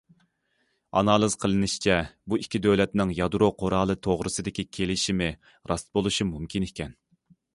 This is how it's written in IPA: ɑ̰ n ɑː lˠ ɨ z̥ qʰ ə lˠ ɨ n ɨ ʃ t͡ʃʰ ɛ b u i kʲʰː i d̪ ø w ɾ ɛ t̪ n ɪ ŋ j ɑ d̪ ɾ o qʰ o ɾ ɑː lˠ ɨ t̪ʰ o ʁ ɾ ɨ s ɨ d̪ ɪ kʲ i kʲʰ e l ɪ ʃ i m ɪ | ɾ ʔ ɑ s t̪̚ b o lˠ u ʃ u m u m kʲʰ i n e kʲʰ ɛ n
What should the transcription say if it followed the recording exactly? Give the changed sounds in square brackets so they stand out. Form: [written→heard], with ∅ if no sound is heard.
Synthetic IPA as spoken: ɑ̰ n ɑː lˠ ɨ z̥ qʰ ə lˠ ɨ n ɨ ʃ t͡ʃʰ ɛ b u i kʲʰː i d̪ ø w [ɾ→l] ɛ t̪ n ɪ ŋ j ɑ d̪ ɾ o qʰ o ɾ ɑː lˠ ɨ t̪ʰ o ʁ ɾ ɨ s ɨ d̪ ɪ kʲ i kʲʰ e l ɪ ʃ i m ɪ | ɾ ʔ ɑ s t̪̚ b o lˠ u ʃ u m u m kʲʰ i n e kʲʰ ɛ n